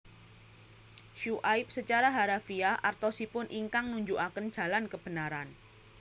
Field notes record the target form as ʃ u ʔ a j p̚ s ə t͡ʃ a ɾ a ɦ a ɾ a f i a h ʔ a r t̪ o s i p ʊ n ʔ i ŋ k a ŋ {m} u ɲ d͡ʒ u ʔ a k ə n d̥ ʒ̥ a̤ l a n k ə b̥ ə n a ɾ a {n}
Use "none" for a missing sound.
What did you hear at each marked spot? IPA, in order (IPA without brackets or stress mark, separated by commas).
n, n